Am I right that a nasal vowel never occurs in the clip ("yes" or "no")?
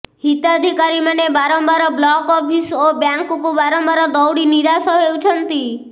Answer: yes